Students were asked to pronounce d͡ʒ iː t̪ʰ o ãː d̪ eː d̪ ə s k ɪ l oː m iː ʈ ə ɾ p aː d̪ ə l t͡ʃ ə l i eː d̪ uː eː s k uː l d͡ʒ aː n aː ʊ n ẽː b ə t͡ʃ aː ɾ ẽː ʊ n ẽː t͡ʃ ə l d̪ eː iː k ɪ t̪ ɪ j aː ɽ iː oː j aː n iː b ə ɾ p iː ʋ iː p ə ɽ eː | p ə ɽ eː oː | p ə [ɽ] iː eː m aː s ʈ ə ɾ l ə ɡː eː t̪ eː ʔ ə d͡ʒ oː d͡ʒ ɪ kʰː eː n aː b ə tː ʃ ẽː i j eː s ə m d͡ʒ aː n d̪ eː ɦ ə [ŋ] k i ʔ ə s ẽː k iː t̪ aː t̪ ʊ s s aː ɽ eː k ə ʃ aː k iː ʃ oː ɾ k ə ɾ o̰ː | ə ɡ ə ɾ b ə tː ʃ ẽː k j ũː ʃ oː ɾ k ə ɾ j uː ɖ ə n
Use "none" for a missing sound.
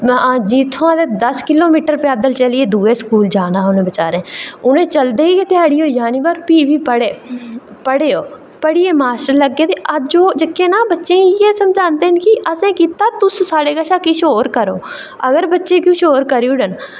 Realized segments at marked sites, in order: ɽ, n

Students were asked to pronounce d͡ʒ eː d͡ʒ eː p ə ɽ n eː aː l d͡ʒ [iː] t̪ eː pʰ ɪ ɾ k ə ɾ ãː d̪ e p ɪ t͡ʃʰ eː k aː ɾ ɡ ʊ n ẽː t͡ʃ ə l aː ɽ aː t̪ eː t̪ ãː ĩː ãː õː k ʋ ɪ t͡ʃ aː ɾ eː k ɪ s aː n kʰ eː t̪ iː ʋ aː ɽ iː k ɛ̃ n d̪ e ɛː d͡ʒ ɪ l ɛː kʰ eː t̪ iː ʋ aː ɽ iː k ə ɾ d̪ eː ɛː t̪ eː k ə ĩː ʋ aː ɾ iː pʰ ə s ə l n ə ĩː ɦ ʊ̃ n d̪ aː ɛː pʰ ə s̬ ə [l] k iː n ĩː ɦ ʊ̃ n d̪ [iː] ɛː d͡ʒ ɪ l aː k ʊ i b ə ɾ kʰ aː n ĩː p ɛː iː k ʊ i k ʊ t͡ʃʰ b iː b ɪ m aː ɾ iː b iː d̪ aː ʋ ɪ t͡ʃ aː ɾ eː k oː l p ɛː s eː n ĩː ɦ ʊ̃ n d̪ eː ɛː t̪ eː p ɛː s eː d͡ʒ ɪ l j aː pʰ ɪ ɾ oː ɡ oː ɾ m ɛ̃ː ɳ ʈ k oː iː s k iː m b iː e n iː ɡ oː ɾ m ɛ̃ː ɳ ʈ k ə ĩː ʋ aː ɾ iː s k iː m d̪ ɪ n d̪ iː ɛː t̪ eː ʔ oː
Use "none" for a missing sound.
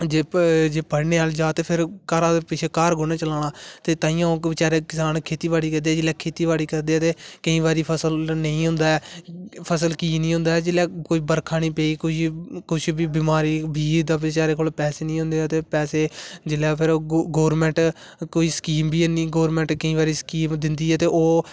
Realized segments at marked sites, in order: aː, l, aː

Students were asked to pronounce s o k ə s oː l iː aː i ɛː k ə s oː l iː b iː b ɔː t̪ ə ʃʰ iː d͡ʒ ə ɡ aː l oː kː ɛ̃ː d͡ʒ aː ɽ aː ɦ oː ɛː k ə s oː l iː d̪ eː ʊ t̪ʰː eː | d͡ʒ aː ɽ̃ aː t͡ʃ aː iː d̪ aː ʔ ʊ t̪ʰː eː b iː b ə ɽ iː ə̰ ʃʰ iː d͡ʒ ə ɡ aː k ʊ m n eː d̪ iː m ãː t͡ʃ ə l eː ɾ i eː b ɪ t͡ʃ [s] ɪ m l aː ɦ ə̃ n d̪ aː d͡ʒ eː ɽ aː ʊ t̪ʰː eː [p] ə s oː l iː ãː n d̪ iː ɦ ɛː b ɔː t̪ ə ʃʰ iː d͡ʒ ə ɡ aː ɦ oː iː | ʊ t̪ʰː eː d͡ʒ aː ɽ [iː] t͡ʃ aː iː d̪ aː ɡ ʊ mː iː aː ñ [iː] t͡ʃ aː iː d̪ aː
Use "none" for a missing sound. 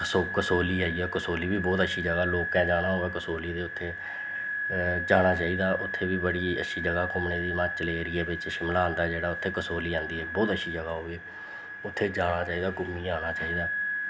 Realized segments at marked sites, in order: ʃ, k, aː, aː

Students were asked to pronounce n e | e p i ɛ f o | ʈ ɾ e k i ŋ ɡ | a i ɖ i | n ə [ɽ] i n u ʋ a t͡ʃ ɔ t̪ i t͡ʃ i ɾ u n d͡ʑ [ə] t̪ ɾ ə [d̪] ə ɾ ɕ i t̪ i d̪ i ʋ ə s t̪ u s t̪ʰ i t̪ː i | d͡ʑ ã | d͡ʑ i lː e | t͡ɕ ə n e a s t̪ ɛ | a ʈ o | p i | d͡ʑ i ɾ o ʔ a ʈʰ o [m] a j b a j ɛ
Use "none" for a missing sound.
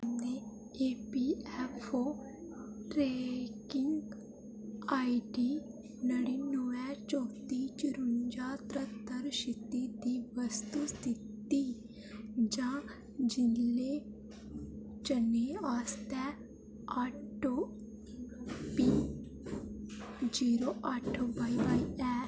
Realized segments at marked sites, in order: ɽ, a, t̪, b

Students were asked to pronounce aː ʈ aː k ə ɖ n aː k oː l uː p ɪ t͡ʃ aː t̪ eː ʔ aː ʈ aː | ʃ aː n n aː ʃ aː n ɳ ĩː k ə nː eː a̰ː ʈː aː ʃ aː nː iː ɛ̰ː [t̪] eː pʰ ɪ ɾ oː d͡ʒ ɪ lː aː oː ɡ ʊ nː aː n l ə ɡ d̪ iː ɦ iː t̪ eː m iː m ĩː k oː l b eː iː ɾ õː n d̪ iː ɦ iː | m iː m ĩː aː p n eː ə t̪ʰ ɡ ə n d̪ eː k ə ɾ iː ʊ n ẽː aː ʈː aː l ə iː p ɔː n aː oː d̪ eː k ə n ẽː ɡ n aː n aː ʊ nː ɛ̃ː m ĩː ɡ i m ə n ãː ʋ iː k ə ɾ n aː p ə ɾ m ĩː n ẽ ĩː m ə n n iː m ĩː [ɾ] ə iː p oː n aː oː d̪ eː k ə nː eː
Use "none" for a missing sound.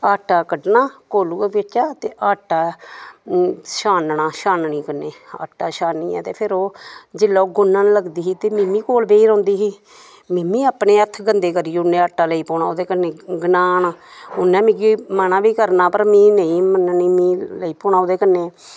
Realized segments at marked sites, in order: t̪, l

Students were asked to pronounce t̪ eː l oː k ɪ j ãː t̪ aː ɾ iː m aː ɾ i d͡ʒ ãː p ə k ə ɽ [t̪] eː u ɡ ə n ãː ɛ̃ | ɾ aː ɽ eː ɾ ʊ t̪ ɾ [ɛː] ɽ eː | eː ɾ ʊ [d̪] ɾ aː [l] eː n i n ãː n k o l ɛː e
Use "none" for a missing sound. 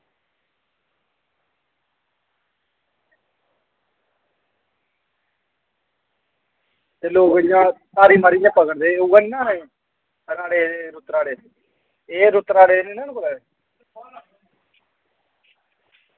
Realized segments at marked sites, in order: d̪, aː, t̪, ɽ

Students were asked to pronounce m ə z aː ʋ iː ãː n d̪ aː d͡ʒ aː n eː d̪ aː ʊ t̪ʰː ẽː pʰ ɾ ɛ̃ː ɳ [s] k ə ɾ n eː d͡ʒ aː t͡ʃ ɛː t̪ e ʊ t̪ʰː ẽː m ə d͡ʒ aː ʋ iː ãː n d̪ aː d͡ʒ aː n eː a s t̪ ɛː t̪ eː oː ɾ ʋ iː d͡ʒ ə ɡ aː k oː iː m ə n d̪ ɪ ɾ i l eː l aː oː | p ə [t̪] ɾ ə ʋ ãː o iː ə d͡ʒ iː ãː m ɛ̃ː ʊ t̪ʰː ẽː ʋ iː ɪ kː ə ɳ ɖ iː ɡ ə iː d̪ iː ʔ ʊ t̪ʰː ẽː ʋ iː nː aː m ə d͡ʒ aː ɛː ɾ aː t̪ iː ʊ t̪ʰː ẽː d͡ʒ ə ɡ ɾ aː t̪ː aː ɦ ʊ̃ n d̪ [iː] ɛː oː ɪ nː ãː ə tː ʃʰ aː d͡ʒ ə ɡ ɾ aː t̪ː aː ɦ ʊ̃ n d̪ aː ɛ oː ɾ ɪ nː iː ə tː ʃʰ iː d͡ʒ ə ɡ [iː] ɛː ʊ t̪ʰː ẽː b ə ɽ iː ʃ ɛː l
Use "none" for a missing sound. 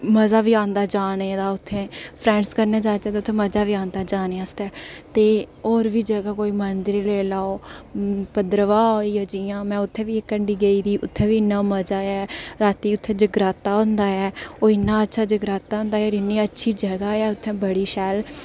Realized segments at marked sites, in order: s, d̪, aː, aː

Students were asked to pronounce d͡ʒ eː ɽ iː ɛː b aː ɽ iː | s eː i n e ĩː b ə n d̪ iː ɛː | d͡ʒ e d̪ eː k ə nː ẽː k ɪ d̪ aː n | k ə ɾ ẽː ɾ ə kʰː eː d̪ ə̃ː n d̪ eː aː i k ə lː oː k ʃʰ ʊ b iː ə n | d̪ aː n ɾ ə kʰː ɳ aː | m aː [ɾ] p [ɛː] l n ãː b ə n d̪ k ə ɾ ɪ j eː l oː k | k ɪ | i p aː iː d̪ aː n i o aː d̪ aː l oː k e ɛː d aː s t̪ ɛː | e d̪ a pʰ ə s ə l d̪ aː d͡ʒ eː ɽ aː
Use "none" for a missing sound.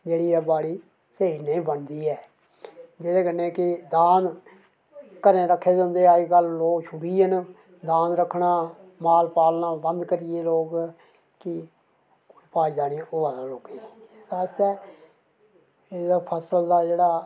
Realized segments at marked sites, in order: l, aː

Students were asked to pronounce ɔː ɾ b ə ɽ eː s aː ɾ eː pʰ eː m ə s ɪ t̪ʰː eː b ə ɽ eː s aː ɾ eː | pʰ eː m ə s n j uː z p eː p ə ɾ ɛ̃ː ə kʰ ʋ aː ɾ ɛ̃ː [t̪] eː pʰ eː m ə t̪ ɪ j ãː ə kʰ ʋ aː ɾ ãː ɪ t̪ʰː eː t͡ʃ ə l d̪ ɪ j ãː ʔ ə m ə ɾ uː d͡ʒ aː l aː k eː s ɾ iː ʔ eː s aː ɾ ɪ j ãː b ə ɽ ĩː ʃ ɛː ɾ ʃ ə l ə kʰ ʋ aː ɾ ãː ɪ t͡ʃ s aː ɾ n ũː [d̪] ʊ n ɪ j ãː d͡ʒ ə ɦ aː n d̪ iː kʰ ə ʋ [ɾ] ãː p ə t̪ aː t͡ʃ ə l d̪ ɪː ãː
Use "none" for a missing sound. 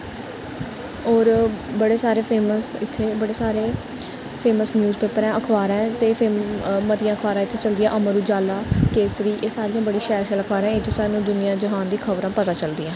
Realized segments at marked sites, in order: t̪, d̪, ɾ

